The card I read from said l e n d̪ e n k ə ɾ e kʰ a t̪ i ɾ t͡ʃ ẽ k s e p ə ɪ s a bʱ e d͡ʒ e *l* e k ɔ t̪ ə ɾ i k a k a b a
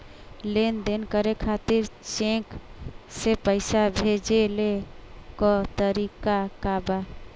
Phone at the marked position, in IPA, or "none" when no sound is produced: l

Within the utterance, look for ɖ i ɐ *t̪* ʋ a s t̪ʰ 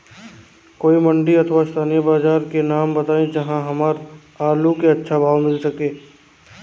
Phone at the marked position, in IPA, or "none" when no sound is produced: t̪ʰ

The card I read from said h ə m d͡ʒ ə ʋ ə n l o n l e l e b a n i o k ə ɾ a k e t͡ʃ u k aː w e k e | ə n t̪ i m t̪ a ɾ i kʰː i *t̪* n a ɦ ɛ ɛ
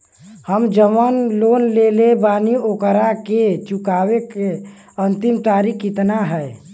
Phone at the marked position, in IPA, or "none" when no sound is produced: t̪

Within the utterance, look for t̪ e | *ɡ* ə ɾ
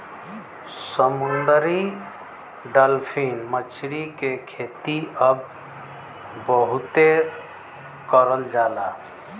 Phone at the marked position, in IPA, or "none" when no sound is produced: k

